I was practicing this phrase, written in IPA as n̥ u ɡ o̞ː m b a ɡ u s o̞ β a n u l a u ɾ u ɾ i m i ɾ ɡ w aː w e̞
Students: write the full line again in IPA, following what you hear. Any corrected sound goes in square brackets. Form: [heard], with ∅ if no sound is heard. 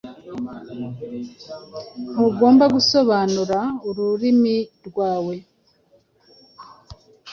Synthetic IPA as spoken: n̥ u ɡ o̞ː m b a ɡ u s o̞ β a n u [ɾ] a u ɾ u ɾ i m i ɾ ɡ w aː w e̞